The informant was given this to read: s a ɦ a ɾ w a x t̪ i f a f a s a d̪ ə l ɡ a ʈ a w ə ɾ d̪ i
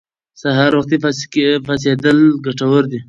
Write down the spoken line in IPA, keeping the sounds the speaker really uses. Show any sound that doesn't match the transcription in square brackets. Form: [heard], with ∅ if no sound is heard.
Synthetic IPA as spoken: s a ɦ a ɾ w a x t̪ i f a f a s [e] d̪ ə l ɡ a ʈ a w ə ɾ d̪ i

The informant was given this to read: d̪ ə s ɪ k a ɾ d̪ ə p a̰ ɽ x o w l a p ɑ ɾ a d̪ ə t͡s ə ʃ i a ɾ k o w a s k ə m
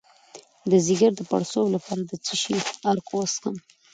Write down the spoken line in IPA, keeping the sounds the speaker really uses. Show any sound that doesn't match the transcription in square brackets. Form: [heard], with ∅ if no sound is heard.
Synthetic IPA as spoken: d̪ ə [z] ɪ [ɡ] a ɾ d̪ ə p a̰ ɽ [s] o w l a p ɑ ɾ a d̪ ə t͡s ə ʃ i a ɾ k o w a s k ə m

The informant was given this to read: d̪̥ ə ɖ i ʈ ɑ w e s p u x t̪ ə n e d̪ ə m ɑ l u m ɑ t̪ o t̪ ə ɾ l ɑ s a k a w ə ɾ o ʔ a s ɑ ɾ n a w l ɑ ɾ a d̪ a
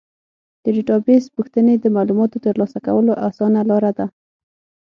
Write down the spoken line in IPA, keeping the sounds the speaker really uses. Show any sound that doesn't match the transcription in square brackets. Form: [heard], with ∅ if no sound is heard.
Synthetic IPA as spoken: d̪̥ ə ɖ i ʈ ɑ [b] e s p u x t̪ ə n e d̪ ə m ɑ l u m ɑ t̪ o t̪ ə ɾ l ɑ s a k a w ə [l] o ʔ a s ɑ [∅] n a [∅] l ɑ ɾ a d̪ a

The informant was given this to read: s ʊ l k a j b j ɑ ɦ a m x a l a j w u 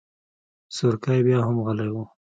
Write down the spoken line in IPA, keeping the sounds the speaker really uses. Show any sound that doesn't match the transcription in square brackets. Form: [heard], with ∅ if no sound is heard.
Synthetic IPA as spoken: s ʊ [ɾ] k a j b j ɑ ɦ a m [ɣ] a l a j w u

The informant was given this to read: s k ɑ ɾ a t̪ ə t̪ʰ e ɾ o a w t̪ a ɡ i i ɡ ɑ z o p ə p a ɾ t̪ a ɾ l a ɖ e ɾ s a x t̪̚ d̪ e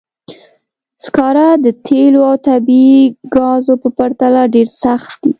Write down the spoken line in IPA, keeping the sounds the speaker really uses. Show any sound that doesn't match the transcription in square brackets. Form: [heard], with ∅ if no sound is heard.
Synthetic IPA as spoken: s k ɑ ɾ a [d̪] ə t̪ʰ e [l] o a w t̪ a [b] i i ɡ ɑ z o p ə p a ɾ t̪ a [∅] l a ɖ e ɾ s a x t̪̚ d̪ [i]

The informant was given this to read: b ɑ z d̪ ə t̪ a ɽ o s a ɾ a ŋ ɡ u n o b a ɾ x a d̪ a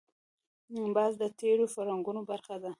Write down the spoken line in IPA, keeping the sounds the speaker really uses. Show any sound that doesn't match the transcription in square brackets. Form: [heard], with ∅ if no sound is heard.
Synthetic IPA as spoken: b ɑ z d̪ ə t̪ [e] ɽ o [f] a ɾ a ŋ ɡ u n o b a ɾ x a d̪ a

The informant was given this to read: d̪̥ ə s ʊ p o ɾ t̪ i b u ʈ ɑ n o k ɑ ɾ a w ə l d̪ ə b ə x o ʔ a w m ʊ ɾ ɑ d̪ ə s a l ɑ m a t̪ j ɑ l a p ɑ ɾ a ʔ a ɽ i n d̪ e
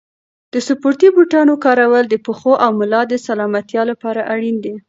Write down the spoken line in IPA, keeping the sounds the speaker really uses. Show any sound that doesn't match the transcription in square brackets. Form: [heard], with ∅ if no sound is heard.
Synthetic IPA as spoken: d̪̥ ə s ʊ p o ɾ t̪ i b u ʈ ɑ n o k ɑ ɾ a w ə l d̪ ə [p] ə x o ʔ a w m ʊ [l] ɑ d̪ ə s a l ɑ m a t̪ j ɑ l a p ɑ ɾ a ʔ a ɽ i n d̪ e

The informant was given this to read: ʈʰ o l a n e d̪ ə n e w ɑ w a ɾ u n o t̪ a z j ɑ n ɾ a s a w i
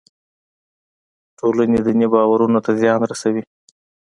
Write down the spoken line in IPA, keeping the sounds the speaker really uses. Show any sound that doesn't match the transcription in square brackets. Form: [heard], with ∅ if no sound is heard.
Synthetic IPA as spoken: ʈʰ o l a n e d̪ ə n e [b] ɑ w a ɾ u n o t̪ a z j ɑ n ɾ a s a w i

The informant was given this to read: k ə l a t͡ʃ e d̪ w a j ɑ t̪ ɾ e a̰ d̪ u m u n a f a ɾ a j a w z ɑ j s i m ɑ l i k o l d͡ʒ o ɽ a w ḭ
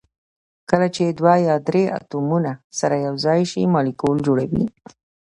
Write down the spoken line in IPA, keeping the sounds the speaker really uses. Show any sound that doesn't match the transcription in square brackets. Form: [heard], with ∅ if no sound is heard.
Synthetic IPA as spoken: k ə l a t͡ʃ e d̪ w a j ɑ [d̪] ɾ e a̰ [t̪] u m u n a [s] a ɾ a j a w z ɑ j [ʃ] i m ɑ l i k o l d͡ʒ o ɽ a w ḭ

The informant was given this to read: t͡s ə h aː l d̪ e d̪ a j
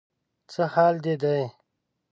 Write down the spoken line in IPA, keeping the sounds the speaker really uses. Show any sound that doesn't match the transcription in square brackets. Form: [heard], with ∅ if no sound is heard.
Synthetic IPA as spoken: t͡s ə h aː l d̪ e d̪ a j

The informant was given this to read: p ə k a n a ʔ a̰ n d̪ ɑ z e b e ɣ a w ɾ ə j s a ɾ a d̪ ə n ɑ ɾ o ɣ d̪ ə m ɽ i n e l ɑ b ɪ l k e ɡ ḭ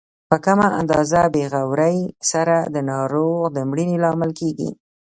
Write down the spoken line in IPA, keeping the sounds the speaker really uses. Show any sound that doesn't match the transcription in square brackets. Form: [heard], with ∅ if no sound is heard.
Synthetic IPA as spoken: p ə k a [m] a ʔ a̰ n d̪ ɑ z [a] b e ɣ a w ɾ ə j s a ɾ a d̪ ə n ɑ ɾ o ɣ d̪ ə m ɽ i n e l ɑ [m] ɪ l k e ɡ ḭ

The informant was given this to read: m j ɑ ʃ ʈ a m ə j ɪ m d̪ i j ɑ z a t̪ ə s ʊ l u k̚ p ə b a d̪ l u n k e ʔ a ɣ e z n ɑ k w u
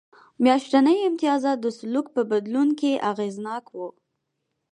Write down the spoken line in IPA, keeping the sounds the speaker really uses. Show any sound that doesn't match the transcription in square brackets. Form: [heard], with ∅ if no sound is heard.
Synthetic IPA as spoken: m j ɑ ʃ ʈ a [n] ə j ɪ m [t̪] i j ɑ z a [d̪] ə s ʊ l u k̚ p ə b a d̪ l u n k e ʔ a ɣ e z n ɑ k w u

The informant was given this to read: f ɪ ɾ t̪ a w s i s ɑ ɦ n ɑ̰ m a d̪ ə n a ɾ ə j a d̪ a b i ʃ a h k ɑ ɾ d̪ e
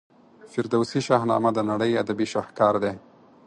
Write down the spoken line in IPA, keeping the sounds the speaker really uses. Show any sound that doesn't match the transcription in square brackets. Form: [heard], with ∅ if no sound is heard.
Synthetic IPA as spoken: f ɪ ɾ [d̪] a w s i [ʃ] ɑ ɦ n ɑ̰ m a d̪ ə n a [ɽ] ə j a d̪ a b i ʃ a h k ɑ ɾ d̪ e

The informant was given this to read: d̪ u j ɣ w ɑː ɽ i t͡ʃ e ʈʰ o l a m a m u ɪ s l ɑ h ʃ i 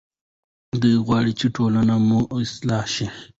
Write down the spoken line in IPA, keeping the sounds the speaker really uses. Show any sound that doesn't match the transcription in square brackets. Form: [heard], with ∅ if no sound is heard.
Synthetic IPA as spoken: d̪ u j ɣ w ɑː ɽ i t͡ʃ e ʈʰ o l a [n] a m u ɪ s l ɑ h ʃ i

